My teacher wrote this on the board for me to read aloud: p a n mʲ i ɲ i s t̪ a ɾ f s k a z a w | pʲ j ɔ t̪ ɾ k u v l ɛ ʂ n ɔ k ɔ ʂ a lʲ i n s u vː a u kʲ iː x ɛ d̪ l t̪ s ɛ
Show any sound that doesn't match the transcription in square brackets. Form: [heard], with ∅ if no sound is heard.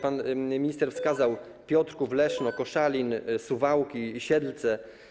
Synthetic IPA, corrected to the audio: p a n mʲ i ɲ i s t̪ [ɛ] ɾ f s k a z a w | pʲ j ɔ t̪ ɾ k u v l ɛ ʂ n ɔ k ɔ ʂ a lʲ i n s u [v] a [w] kʲ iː [ɕ] ɛ d̪ l t̪ s ɛ